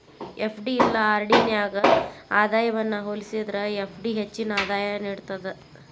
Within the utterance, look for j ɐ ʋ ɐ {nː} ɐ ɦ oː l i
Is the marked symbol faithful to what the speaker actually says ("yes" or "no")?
yes